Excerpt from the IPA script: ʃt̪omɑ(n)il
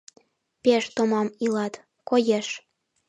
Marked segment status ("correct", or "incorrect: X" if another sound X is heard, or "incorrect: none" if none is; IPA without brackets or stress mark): incorrect: m